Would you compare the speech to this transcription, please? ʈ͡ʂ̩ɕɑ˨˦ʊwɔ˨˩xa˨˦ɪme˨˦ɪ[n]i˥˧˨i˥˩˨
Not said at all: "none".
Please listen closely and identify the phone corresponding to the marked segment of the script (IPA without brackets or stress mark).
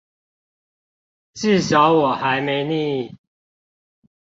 n